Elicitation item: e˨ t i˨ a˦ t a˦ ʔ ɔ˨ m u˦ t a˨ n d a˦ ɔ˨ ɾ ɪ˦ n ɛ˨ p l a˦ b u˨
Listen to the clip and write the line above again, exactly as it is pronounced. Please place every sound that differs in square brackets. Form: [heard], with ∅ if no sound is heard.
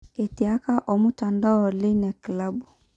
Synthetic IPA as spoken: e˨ t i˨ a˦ [k] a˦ ʔ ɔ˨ m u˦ t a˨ n d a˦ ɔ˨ [l] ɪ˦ n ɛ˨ [k] l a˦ b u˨

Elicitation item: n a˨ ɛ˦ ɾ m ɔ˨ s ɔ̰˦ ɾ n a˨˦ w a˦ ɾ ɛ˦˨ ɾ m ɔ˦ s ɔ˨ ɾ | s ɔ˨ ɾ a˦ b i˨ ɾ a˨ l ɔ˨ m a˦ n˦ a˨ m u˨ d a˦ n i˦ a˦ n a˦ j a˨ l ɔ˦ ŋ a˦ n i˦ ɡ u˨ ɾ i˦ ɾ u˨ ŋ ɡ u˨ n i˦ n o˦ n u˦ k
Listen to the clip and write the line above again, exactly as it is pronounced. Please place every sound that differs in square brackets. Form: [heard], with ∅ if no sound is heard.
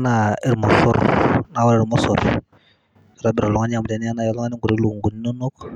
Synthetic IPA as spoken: n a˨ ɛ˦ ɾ m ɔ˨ s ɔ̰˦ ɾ n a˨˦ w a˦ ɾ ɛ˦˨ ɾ m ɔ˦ s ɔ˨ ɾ | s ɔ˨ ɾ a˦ b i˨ ɾ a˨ l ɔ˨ [ŋ] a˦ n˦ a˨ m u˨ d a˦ n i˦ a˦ n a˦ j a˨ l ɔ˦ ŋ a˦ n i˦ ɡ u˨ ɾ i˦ [l] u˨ ŋ ɡ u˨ n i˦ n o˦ n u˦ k

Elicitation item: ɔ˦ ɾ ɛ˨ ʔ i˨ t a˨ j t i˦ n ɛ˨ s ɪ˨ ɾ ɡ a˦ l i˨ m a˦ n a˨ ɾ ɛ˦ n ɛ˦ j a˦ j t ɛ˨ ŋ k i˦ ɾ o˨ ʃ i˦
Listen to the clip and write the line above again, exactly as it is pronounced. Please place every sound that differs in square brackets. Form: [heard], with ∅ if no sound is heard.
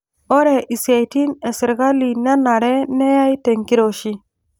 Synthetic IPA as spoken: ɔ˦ ɾ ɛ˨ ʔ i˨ [s] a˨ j t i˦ n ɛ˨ s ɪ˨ ɾ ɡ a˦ l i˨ [n] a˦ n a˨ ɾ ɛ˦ n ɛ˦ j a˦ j t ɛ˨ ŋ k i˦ ɾ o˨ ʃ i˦

